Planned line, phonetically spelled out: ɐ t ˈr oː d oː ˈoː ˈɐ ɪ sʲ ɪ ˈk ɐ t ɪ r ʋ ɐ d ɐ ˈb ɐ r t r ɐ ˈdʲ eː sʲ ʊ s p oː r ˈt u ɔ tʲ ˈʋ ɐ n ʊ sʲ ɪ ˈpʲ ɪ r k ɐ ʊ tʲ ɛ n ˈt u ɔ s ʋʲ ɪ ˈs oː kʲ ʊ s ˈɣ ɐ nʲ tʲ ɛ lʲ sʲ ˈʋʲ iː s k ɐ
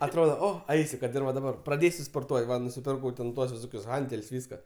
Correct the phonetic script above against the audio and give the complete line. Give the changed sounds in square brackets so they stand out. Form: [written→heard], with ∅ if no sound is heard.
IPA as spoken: ɐ t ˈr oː d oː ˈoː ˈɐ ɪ sʲ ɪ ˈk ɐ t ɪ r ʋ ɐ d ɐ ˈb ɐ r [t→p] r ɐ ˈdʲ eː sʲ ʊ s p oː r ˈt u ɔ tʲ ˈʋ ɐ n ʊ sʲ ɪ ˈpʲ ɪ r k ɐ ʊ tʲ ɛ n ˈt u ɔ s ʋʲ ɪ ˈs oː kʲ ʊ s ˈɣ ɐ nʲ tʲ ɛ lʲ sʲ ˈʋʲ iː s k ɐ